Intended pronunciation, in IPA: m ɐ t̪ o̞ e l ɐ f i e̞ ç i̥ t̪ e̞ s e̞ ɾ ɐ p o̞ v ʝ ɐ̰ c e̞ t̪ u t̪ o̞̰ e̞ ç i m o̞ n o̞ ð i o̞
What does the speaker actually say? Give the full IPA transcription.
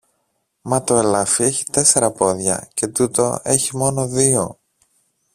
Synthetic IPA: m ɐ t̪ o̞ e l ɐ f i e̞ ç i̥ t̪ e̞ s e̞ ɾ ɐ p o̞ ð ʝ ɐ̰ c e̞ t̪ u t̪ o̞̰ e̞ ç i m o̞ n o̞ ð i o̞

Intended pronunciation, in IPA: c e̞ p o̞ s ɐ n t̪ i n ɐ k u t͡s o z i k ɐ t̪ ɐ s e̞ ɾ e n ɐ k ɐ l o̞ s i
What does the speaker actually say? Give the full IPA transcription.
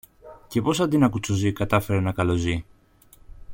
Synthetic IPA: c e̞ p o̞ s ɐ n d̪ i n ɐ k u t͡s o z i k ɐ t̪ ɐ f e̞ ɾ e n ɐ k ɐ l o̞ z i

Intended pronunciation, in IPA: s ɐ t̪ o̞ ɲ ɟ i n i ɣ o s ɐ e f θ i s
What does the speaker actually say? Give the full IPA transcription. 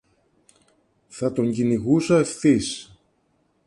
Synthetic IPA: θ ɐ t̪ o̞ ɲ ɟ i n i ɣ u s ɐ e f θ i s

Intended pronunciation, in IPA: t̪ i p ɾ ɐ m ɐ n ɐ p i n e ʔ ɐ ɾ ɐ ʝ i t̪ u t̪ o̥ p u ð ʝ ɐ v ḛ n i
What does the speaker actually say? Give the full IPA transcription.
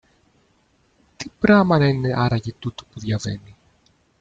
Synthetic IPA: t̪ i p ɾ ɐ m ɐ n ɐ i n e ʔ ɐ ɾ ɐ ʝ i t̪ u t̪ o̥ p u ð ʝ ɐ v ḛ n i

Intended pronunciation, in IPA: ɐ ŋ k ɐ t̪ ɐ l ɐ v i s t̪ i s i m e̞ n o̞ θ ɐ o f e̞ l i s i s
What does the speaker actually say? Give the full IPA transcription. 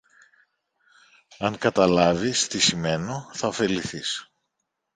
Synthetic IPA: ɐ ŋ k ɐ t̪ ɐ l ɐ v i s t̪ i s i m e̞ n o̞ θ ɐ o f e̞ l i θ i s

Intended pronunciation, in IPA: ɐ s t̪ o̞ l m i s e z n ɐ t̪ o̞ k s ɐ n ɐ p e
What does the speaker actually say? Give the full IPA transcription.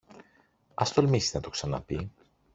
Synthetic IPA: ɐ s t̪ o̞ l m i s i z n ɐ t̪ o̞ k s ɐ n ɐ p i

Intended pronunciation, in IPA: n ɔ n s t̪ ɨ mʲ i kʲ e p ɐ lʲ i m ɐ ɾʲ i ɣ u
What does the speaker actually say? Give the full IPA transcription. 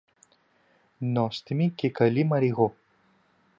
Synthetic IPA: n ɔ s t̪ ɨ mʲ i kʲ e k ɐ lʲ i m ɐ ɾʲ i ɣ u

